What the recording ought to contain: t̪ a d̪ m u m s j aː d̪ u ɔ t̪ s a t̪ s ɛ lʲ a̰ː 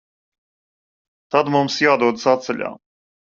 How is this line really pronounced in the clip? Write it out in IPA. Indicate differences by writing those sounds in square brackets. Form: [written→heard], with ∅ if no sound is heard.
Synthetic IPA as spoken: t̪ a d̪ m u m s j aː d̪ u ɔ [t̪→d̪] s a t̪ s ɛ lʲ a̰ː